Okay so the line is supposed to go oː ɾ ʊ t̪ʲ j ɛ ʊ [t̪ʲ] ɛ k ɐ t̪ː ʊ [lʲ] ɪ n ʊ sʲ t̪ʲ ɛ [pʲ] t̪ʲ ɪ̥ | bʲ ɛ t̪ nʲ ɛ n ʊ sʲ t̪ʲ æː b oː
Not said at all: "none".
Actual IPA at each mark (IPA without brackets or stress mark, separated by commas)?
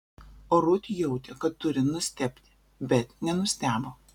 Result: t̪ʲ, ɾʲ, pʲ